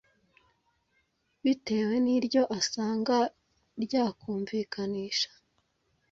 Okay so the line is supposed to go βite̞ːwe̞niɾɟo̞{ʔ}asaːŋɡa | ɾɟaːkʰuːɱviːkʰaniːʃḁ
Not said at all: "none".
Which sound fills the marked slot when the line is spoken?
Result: ʔ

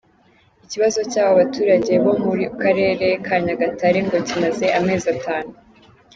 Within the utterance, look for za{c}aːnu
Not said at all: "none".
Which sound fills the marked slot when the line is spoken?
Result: t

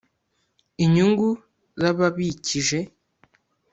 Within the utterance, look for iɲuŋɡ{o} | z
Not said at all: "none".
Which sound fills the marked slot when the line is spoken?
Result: u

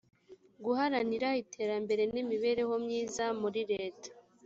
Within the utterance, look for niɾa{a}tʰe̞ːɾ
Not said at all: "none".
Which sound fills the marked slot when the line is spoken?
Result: i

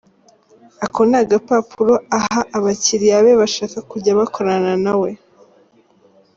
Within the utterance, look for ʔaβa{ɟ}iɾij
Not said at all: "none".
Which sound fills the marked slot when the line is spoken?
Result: c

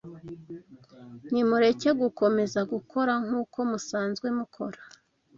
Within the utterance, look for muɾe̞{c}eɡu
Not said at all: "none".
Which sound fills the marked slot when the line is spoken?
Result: c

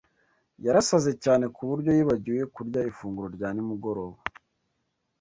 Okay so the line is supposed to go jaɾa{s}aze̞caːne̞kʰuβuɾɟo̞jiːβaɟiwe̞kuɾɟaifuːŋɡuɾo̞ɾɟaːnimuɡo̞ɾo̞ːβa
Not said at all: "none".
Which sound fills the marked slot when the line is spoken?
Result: s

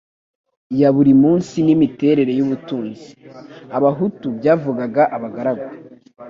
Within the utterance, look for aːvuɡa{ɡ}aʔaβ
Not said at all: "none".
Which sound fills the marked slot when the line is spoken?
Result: ɡ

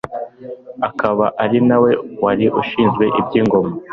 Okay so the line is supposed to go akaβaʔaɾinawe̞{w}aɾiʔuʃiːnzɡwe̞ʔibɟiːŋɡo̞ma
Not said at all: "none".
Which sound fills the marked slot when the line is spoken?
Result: w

